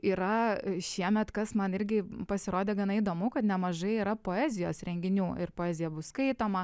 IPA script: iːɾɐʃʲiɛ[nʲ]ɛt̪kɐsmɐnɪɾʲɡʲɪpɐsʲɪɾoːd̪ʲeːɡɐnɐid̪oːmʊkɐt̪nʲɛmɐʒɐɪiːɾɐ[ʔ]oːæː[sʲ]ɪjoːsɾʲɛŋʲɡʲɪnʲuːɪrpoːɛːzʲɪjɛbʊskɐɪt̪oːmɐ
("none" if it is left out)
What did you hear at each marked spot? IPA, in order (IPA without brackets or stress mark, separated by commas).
mʲ, p, zʲ